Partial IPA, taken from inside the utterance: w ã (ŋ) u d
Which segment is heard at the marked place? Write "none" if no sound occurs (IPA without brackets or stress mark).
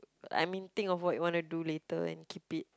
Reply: n